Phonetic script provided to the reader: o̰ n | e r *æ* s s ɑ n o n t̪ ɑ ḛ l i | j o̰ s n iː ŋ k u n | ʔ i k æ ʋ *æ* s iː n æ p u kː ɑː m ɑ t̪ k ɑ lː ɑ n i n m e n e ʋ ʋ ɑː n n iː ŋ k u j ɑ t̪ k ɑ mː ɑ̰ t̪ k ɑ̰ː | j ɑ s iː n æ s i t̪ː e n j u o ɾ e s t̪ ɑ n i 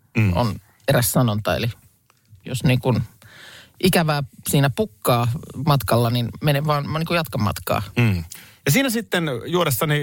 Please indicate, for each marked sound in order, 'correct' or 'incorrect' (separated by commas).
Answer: correct, incorrect